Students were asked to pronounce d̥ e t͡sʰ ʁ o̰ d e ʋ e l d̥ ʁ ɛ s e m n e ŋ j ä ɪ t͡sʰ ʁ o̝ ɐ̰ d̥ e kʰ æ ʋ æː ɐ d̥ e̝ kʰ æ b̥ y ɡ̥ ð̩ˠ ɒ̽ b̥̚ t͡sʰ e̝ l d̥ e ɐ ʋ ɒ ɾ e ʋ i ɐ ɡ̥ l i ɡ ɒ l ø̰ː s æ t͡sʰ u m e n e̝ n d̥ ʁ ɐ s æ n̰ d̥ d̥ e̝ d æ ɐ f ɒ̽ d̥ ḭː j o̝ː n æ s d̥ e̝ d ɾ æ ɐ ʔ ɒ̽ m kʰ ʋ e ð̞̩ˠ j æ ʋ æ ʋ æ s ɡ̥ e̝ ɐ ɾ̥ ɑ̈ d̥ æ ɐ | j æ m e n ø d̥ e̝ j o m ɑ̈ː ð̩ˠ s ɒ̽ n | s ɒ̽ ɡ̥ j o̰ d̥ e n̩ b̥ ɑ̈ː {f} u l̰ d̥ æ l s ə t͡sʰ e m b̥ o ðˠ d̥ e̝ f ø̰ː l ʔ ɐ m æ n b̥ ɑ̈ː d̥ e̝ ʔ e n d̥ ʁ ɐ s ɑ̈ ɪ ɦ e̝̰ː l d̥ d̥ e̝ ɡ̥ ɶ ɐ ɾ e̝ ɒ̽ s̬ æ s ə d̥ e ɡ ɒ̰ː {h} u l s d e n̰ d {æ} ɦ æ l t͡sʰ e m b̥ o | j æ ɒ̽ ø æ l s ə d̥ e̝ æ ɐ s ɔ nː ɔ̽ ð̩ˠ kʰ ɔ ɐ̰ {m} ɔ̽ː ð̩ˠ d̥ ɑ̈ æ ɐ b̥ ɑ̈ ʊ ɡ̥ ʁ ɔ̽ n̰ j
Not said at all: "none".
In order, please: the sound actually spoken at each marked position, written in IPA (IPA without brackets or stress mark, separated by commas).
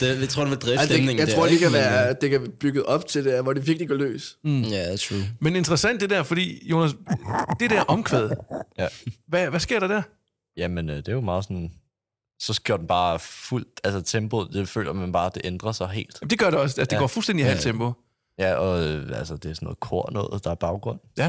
f, f, i, n